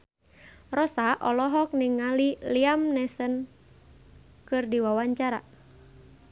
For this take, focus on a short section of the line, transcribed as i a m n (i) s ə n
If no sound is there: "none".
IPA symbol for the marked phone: ɛ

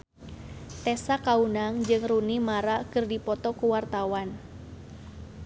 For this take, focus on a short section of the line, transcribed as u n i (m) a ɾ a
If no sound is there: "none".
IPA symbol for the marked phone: m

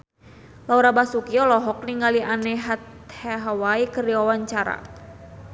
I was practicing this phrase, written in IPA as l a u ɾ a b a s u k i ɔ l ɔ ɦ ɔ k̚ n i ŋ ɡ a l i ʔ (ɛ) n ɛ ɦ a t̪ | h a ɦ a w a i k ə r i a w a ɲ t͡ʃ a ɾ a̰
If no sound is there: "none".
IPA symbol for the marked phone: a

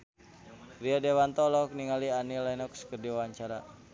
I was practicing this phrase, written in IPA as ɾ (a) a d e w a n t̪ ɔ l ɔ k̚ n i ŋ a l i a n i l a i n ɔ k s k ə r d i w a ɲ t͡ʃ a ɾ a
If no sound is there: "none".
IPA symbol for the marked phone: i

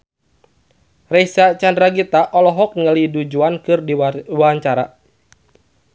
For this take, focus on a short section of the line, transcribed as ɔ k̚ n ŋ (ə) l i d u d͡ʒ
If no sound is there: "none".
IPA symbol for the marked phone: ə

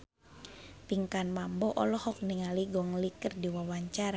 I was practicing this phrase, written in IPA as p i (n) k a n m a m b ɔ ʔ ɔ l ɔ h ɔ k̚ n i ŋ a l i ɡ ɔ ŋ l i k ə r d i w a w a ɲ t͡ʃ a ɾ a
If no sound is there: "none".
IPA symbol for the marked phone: ŋ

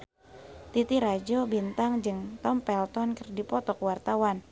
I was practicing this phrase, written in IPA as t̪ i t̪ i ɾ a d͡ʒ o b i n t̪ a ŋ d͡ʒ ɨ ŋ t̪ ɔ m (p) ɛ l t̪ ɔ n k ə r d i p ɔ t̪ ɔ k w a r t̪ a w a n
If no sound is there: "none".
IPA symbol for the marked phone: p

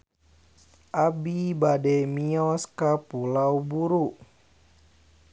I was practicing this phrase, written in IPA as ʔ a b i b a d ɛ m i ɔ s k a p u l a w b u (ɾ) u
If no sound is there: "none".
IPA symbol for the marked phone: ɾ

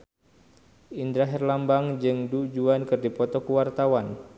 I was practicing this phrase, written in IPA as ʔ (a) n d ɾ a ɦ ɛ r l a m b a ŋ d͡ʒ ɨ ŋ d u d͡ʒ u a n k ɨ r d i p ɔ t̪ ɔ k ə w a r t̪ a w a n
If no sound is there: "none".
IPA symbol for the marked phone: i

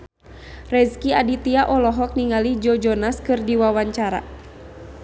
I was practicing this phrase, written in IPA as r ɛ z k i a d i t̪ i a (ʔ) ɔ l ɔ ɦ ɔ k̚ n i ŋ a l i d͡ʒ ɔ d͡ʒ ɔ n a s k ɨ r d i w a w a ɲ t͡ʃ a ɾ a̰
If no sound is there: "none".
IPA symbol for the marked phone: ʔ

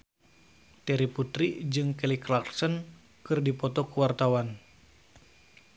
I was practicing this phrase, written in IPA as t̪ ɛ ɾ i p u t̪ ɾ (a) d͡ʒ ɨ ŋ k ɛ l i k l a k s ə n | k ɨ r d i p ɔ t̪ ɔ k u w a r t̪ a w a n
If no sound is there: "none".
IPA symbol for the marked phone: i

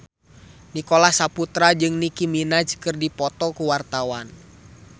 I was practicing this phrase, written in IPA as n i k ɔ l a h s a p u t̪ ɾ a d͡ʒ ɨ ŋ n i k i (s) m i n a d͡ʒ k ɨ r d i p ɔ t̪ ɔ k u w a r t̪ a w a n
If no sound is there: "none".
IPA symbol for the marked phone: none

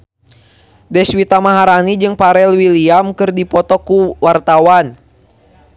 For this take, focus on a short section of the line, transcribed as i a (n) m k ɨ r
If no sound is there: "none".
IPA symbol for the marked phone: none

